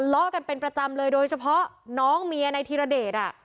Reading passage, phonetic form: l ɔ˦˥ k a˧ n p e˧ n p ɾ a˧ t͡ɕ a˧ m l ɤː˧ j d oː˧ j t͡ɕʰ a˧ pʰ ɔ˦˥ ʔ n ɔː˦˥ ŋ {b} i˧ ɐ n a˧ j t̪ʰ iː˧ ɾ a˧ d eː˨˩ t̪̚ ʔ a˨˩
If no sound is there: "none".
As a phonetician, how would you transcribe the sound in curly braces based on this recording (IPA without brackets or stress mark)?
m